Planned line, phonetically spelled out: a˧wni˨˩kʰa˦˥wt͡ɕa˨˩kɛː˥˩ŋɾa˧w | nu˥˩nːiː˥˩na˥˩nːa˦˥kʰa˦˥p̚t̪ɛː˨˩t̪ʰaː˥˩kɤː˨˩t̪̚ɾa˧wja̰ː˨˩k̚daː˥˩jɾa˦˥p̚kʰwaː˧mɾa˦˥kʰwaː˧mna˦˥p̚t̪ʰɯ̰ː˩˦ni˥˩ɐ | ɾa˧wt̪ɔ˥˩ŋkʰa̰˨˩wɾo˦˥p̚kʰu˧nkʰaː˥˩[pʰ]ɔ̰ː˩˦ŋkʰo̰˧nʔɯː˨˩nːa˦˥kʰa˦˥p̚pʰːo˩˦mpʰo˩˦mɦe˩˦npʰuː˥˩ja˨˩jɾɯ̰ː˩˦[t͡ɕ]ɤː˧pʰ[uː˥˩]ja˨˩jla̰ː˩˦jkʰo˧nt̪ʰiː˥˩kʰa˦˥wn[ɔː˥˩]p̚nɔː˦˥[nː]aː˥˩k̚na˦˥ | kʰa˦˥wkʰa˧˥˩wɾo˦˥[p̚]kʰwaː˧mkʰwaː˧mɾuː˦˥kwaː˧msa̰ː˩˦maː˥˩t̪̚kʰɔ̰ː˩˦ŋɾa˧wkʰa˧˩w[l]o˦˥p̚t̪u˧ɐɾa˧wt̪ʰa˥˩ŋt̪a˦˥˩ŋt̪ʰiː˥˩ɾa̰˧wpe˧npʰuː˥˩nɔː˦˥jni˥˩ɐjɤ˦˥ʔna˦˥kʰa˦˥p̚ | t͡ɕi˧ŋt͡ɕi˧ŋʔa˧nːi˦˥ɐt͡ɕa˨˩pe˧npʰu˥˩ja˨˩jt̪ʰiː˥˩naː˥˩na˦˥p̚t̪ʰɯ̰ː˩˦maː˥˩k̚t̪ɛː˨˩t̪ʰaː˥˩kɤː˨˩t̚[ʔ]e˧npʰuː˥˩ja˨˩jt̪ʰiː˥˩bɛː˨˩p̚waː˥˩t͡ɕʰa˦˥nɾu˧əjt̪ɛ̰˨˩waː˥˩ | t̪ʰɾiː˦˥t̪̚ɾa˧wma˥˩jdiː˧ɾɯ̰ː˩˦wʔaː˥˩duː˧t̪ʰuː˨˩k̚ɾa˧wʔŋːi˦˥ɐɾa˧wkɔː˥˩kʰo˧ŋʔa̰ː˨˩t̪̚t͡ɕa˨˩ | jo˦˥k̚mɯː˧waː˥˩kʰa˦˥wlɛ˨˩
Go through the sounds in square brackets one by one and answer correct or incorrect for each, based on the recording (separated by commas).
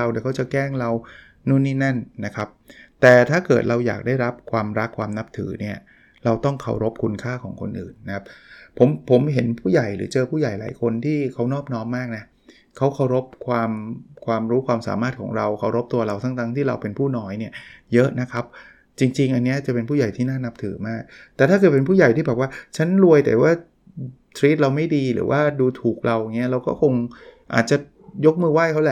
incorrect, correct, correct, correct, incorrect, correct, incorrect, incorrect